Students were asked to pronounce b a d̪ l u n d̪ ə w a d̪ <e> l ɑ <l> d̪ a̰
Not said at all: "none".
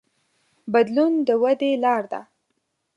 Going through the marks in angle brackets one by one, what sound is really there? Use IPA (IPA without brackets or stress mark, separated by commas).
e, ɾ